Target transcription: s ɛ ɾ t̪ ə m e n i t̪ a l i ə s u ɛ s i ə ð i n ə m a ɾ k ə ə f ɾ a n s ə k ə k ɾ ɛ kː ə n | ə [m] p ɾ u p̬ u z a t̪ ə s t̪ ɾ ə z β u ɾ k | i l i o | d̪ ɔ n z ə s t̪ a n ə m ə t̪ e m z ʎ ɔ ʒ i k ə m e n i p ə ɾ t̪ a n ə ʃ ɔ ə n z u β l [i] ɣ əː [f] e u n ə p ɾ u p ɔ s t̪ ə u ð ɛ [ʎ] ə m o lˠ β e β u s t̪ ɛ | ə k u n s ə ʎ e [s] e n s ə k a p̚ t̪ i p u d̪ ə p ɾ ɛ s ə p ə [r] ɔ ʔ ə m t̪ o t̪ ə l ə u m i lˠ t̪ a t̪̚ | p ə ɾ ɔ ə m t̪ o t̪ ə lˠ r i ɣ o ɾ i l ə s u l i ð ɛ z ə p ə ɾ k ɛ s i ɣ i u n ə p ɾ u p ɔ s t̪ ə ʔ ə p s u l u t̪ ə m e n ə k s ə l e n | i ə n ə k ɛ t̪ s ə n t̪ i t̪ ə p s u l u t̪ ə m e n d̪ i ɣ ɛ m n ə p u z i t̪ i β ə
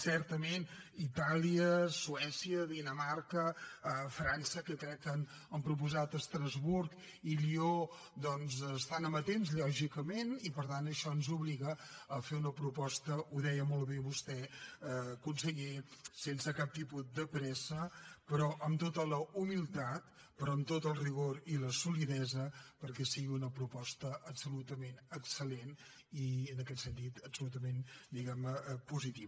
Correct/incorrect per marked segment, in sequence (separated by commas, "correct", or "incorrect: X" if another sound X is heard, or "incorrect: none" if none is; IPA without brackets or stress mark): correct, correct, correct, incorrect: j, correct, incorrect: ɾ